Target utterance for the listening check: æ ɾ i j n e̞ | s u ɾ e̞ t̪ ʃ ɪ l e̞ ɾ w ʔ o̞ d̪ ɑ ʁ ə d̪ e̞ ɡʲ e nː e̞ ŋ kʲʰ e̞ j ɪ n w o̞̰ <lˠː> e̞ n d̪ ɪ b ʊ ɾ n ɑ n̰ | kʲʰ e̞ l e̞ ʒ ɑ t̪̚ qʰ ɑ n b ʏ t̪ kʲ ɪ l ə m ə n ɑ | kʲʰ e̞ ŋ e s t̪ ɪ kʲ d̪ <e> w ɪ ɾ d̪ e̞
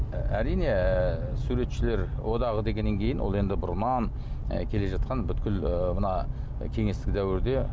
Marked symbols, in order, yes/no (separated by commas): no, no